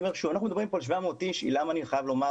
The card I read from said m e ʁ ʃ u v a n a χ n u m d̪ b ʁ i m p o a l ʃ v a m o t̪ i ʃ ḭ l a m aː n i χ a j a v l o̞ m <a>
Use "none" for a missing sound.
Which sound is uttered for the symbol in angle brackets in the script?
a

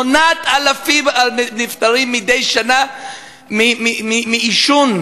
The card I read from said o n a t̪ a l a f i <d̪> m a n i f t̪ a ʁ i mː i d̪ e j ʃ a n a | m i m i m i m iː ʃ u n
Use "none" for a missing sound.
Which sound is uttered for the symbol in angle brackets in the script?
none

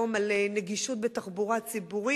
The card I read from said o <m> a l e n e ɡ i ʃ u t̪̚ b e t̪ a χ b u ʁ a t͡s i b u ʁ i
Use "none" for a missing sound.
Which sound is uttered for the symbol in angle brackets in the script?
m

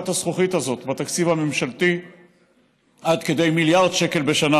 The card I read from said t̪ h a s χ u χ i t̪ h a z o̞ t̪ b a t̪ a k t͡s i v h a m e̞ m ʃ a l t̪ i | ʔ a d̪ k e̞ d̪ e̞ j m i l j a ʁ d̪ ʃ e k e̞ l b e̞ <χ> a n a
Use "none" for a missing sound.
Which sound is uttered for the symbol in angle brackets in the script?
ʃ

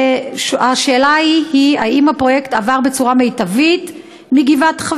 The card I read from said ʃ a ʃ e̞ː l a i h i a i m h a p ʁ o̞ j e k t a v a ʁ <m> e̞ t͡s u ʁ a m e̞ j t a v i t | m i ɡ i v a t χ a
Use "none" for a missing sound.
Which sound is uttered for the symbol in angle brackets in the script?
b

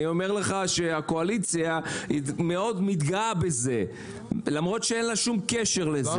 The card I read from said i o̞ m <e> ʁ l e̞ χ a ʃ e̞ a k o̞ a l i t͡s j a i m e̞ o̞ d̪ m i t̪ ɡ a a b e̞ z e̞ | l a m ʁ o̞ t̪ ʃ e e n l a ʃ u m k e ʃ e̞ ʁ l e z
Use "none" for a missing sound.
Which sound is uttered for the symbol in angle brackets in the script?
e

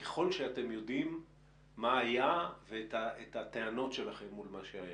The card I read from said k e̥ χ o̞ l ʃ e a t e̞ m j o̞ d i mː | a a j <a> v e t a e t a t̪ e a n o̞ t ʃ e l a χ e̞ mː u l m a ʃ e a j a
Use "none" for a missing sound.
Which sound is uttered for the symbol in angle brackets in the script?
a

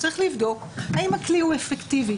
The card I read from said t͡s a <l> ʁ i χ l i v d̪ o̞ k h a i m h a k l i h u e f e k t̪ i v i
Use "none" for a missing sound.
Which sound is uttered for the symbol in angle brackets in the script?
none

